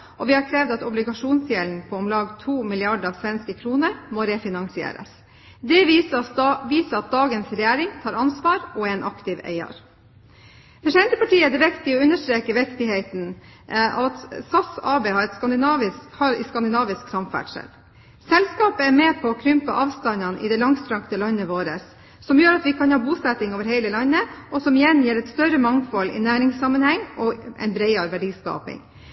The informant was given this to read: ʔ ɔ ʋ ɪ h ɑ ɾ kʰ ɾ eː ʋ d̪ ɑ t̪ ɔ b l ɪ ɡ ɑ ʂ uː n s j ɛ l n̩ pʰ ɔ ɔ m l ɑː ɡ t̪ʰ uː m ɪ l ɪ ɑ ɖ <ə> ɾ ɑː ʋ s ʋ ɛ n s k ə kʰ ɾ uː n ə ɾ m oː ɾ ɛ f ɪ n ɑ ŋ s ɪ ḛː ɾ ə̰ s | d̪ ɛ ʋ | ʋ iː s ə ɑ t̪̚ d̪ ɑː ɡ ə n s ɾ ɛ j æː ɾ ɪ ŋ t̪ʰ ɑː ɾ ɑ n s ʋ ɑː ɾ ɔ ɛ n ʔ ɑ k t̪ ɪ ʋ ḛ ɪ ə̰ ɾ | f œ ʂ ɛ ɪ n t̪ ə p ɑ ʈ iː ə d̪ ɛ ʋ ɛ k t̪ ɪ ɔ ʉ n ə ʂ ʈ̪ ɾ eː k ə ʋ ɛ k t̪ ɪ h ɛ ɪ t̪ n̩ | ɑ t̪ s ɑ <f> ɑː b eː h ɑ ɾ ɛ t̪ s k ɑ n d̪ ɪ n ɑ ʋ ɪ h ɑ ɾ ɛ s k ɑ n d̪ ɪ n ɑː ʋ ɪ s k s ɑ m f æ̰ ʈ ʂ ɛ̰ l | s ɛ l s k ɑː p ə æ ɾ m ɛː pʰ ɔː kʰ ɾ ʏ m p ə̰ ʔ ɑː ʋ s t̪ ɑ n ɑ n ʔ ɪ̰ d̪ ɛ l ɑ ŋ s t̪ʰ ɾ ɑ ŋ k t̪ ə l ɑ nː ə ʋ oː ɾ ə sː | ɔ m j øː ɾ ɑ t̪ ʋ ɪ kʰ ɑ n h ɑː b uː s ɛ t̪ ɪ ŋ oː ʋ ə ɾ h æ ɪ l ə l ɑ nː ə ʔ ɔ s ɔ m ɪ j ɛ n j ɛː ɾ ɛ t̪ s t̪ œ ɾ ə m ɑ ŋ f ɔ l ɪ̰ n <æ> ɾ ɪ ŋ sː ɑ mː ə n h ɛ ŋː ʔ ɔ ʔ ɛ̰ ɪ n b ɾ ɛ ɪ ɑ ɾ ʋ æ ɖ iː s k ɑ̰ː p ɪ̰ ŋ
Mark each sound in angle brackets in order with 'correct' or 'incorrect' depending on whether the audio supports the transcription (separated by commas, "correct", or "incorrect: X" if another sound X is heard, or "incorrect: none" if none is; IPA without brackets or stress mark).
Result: correct, incorrect: s, incorrect: æː